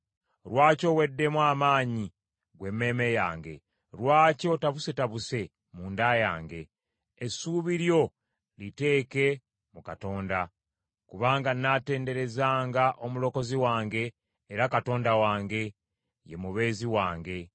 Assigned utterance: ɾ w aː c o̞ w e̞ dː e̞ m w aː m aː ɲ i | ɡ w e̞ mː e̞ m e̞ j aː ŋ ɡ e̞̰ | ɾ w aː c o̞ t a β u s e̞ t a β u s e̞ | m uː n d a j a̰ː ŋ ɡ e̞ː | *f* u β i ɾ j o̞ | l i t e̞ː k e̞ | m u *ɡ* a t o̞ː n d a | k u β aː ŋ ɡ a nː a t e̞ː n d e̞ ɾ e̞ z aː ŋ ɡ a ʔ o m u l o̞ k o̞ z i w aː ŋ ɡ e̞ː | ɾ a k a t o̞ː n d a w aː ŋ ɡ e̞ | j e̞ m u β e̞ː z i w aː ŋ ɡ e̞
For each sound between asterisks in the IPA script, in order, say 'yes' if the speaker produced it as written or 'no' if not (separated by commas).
no, no